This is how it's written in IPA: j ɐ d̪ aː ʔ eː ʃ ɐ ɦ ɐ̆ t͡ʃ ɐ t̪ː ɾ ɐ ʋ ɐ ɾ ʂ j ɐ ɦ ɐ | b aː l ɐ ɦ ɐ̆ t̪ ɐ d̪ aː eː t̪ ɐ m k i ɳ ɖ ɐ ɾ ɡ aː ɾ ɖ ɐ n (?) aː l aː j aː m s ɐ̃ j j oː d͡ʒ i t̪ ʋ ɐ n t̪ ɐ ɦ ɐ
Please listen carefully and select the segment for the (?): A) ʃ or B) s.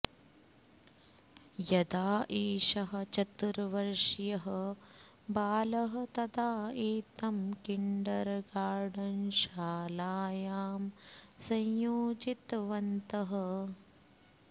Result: A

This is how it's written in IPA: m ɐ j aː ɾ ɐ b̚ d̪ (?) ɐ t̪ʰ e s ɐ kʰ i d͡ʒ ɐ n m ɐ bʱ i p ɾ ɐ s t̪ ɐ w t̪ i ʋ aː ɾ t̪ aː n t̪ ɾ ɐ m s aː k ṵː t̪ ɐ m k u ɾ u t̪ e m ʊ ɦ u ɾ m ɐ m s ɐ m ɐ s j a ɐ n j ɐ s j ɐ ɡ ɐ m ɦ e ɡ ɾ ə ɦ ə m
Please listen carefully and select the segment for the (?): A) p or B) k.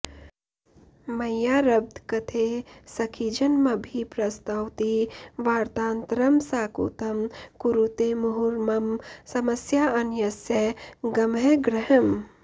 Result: B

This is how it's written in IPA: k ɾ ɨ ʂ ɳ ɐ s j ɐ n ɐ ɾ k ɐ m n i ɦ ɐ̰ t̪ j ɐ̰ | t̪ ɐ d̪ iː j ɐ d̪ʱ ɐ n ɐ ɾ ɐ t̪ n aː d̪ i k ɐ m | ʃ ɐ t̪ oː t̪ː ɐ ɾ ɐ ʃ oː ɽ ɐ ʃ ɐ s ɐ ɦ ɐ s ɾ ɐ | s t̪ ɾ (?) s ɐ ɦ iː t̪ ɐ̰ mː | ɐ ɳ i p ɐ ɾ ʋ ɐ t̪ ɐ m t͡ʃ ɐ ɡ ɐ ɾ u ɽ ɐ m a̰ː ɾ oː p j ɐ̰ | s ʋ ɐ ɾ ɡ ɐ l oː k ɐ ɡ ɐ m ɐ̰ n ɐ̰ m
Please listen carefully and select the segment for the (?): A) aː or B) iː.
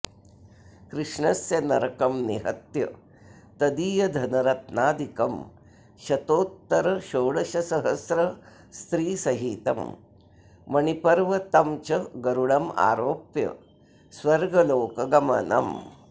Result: B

